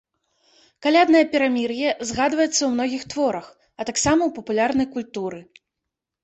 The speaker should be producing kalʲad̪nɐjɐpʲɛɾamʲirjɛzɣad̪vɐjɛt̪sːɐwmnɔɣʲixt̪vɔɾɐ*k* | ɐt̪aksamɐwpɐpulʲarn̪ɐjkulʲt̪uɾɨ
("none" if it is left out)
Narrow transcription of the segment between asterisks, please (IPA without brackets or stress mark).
x